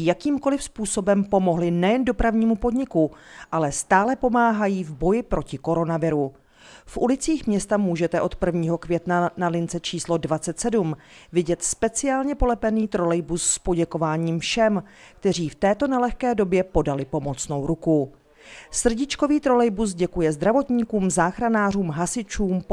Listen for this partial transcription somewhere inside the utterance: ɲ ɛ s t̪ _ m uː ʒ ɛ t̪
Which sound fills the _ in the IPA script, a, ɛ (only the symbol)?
a